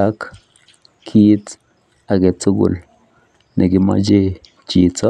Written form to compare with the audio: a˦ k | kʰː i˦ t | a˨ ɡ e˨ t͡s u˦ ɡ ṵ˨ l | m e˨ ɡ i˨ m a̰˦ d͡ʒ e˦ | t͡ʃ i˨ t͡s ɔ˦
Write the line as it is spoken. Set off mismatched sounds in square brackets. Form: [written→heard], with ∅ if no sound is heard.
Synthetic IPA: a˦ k | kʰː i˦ t | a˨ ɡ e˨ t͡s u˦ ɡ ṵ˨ l | [m→n] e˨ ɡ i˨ m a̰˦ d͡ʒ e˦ | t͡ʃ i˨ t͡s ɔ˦